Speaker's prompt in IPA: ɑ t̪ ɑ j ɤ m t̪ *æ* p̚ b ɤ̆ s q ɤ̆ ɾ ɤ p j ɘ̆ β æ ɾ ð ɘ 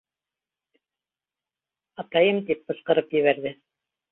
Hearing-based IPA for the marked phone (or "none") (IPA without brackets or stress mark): i